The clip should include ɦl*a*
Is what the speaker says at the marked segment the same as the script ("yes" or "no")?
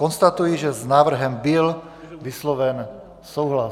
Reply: yes